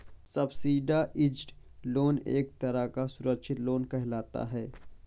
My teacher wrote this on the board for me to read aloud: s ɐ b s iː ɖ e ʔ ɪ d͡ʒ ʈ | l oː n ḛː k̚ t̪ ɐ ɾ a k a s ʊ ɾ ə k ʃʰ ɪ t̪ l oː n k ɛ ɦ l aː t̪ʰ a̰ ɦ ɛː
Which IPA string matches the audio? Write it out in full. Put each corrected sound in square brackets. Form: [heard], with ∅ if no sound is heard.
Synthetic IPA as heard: s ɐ b s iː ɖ [a] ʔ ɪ d͡ʒ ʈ | l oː n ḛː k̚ t̪ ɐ ɾ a k a s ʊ ɾ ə k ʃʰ ɪ t̪ l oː n k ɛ ɦ l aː [t̪] a̰ ɦ ɛː